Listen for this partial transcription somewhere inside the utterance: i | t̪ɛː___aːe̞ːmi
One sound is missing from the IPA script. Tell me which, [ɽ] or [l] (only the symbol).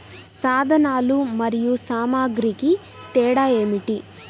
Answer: ɽ